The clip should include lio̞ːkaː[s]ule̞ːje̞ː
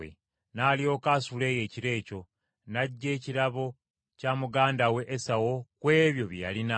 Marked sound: correct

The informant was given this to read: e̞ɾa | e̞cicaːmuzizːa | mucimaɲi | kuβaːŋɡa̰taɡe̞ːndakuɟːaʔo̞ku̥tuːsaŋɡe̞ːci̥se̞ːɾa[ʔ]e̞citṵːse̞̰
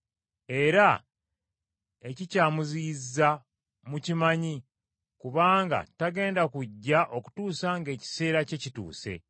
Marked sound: incorrect: c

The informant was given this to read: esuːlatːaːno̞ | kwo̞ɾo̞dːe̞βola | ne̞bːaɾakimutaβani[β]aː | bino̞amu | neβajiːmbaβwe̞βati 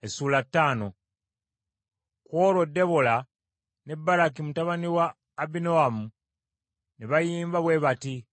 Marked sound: incorrect: w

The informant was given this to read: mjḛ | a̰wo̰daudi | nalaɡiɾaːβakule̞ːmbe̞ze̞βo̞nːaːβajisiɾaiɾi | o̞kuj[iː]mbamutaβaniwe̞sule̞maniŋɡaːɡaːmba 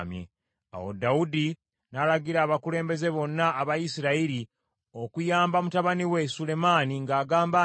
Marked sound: incorrect: aː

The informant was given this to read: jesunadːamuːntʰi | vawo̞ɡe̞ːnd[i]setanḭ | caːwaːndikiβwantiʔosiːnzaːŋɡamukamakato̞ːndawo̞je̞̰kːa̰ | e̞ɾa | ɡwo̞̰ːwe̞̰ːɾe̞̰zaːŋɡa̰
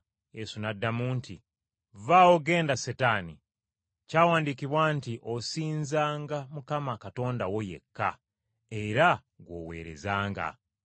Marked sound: incorrect: a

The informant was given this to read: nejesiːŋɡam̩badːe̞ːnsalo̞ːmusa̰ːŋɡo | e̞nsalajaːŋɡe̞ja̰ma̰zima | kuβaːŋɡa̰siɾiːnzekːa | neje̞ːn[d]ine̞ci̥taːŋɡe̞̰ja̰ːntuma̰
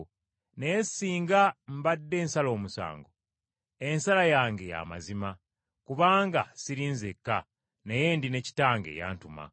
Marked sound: correct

